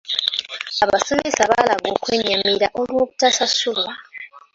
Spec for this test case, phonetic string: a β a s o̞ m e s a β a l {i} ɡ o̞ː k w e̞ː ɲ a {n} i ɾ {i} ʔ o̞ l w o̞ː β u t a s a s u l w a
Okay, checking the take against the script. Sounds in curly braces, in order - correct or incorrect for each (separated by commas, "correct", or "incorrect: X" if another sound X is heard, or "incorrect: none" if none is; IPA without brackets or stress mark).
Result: incorrect: a, incorrect: m, incorrect: a